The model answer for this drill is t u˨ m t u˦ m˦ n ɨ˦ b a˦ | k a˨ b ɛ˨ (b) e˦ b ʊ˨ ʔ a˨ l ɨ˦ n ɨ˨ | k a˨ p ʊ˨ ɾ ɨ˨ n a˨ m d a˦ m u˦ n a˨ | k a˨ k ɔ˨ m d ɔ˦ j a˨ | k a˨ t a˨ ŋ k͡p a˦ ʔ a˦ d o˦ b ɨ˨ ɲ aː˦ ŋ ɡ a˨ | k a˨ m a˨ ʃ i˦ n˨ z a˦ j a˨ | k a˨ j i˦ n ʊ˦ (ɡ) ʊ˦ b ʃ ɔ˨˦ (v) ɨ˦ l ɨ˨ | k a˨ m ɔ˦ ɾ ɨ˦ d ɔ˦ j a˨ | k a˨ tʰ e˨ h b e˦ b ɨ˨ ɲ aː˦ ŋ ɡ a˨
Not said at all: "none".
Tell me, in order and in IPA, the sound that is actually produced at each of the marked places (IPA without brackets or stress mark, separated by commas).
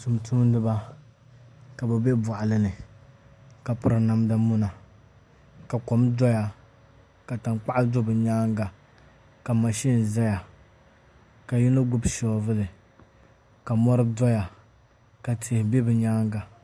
b, ɡ, v